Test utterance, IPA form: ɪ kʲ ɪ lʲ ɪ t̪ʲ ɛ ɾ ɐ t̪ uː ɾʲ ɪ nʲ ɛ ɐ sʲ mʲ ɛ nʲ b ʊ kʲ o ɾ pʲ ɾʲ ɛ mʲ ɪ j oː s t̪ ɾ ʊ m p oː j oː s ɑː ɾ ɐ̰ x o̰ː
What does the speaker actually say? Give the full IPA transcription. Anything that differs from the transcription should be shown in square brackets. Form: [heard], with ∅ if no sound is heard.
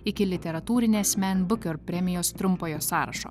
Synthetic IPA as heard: ɪ kʲ ɪ lʲ ɪ t̪ʲ ɛ ɾ ɐ t̪ uː ɾʲ ɪ nʲ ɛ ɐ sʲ mʲ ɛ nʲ b ʊ kʲ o ɾ pʲ ɾʲ ɛ mʲ ɪ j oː s t̪ ɾ ʊ m p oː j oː s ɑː ɾ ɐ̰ [ʃ] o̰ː